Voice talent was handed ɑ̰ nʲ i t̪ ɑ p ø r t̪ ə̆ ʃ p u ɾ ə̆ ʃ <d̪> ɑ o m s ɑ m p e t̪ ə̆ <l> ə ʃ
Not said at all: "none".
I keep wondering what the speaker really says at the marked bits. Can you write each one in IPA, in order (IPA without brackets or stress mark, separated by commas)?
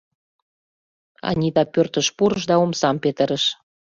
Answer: d̪, ɾ